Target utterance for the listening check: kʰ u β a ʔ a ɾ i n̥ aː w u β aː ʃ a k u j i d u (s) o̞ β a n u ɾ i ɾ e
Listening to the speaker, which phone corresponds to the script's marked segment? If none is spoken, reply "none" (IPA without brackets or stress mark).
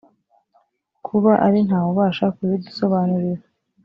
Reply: s